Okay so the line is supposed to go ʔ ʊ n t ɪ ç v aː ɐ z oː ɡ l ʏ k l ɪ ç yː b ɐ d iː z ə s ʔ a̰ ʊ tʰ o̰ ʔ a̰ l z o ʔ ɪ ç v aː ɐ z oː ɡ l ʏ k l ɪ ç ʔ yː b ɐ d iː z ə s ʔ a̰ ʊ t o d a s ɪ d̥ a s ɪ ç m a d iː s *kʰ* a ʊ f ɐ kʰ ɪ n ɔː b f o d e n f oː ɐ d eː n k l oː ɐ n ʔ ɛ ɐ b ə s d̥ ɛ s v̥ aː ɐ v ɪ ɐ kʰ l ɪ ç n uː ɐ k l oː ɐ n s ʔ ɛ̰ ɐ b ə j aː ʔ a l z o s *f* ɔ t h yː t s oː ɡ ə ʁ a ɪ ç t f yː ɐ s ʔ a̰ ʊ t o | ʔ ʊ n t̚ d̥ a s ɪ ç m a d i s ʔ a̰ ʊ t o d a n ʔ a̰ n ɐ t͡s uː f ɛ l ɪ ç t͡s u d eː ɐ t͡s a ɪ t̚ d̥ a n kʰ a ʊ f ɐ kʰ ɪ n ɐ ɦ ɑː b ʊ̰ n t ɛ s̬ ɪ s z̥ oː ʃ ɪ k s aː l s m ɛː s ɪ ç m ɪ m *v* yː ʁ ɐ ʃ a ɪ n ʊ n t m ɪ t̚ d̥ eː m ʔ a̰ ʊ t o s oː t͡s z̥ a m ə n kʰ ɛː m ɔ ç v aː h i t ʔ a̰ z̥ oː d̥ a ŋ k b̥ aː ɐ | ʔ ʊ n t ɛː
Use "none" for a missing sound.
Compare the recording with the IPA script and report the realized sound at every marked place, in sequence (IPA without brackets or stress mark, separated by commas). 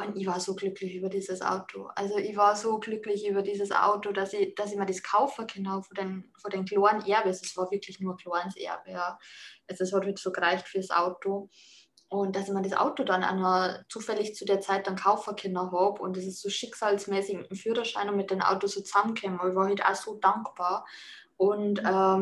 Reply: kʰ, h, f